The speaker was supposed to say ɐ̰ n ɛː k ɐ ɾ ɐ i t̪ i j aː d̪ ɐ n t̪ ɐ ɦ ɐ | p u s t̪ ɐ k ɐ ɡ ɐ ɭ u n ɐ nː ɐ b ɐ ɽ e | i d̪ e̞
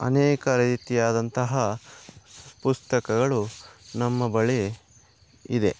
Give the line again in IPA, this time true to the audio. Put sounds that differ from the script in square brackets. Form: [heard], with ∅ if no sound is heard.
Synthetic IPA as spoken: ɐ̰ n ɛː k ɐ ɾ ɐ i t̪ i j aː d̪ ɐ n t̪ ɐ ɦ ɐ | p u s t̪ ɐ k ɐ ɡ ɐ ɭ u n ɐ [mː] ɐ b ɐ [ɭ] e | i d̪ e̞